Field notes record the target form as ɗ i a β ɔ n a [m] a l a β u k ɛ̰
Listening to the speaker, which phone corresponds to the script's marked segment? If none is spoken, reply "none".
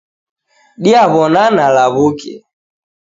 n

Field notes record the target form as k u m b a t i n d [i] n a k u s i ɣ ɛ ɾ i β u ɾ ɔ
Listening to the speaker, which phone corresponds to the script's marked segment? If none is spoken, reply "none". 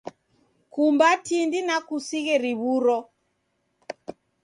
i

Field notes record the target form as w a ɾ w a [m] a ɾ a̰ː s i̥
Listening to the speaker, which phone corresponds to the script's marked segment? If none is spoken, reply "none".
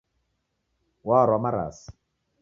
m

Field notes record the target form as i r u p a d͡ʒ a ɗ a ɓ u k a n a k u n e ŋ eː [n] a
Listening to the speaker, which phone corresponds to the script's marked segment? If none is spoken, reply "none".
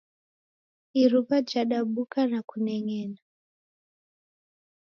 n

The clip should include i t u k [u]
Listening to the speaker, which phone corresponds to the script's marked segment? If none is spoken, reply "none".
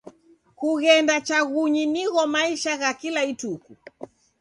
u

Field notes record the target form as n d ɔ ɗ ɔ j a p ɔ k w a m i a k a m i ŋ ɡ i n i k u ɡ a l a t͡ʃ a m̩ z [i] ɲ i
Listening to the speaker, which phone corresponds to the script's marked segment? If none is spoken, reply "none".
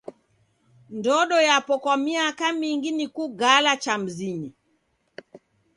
i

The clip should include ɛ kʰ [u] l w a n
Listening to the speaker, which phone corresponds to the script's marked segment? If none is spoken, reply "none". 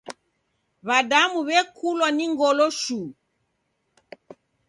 u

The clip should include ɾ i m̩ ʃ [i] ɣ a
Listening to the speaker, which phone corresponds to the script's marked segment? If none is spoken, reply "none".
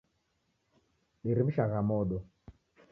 a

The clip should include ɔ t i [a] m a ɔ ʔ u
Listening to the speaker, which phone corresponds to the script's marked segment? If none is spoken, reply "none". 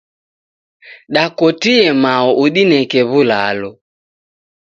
ɛ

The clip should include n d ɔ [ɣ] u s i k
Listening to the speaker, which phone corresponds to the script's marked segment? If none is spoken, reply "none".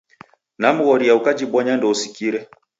none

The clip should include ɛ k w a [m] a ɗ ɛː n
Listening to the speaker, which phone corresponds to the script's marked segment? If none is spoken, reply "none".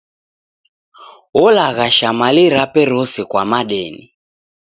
m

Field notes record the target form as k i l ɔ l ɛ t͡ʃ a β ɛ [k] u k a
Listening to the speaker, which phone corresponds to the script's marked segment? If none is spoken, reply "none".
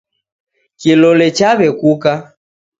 k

